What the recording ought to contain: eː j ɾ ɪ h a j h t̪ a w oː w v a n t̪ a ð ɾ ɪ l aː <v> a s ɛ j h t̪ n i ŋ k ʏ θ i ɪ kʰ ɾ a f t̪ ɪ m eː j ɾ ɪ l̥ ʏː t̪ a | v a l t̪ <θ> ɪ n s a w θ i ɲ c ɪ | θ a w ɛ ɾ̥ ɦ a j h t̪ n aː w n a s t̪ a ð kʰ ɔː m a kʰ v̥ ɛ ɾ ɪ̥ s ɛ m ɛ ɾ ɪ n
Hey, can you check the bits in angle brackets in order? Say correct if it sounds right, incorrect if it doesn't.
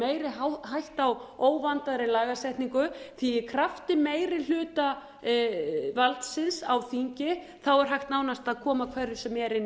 incorrect, incorrect

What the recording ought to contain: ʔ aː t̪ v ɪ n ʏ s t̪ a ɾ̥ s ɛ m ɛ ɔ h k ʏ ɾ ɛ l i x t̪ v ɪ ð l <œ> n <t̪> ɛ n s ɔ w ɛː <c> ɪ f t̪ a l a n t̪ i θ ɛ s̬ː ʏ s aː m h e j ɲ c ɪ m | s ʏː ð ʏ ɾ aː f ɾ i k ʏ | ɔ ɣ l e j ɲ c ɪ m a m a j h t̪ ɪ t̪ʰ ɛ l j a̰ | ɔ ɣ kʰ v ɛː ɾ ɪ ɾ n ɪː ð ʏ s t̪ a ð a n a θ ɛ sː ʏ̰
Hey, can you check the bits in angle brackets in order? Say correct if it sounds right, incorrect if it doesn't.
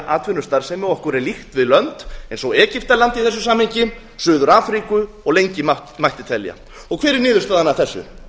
correct, correct, correct

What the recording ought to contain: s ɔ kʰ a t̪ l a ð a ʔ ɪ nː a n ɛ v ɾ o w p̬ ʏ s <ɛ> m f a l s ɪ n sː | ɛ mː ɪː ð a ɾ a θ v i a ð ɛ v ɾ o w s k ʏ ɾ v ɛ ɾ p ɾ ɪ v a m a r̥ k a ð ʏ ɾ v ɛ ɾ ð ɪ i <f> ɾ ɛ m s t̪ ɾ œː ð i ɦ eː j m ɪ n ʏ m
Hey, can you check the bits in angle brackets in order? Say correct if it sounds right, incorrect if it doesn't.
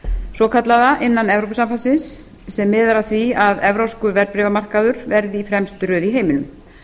incorrect, correct

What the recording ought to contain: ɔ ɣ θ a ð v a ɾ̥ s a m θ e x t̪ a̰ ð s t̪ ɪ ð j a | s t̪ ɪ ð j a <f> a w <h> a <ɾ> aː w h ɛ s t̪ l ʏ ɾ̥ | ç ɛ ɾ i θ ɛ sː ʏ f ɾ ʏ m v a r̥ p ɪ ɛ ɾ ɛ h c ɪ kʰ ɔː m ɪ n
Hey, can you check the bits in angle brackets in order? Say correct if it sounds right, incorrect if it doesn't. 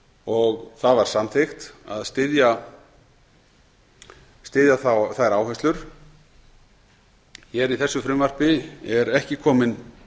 incorrect, incorrect, correct

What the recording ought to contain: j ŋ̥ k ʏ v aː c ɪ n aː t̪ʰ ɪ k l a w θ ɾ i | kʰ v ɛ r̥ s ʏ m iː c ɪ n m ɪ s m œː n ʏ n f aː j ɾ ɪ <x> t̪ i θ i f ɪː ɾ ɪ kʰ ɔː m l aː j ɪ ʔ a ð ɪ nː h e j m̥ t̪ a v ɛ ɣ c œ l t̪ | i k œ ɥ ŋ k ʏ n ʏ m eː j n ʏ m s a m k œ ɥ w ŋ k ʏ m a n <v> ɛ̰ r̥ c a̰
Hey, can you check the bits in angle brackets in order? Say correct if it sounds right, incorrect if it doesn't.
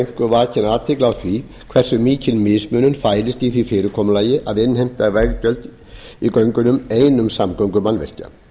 incorrect, correct

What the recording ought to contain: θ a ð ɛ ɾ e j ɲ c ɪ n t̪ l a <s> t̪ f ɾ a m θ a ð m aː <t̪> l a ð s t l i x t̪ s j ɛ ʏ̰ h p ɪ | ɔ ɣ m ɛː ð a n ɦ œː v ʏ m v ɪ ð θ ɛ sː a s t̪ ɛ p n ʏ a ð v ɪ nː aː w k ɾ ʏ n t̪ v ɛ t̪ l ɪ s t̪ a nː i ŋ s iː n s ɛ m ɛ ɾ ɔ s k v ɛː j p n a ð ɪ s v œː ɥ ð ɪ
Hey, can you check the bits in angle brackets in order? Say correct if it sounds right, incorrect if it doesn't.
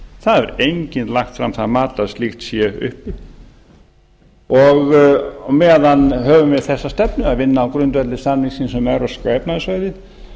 incorrect, correct

